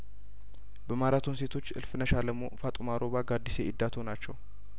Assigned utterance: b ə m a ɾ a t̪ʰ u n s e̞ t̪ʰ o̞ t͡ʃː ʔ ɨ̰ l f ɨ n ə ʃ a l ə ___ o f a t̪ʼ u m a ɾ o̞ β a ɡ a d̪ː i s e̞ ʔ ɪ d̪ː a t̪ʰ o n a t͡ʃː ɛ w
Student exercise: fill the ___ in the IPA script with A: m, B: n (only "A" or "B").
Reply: A